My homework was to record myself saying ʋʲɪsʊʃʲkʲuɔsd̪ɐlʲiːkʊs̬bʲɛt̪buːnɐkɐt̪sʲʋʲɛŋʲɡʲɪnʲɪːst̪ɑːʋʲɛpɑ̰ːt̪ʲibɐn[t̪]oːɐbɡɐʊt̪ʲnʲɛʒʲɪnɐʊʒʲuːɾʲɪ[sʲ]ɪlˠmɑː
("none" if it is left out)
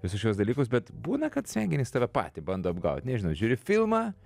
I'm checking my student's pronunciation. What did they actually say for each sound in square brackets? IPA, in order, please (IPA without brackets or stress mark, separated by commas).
d̪, fʲ